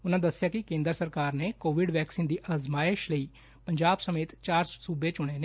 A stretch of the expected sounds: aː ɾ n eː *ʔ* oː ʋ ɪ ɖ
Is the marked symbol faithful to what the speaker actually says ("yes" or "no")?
no